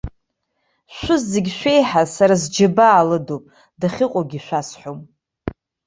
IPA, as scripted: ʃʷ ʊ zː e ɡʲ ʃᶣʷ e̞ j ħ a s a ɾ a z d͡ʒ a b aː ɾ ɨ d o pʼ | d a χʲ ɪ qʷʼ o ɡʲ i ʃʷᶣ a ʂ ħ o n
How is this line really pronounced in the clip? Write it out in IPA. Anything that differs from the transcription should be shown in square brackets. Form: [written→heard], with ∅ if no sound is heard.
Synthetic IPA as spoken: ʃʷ ʊ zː e ɡʲ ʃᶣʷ e̞ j ħ a s a ɾ a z d͡ʒ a b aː [ɾ→l] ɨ d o pʼ | d a χʲ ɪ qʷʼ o ɡʲ i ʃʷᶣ a [ʂ→s] ħ o [n→m]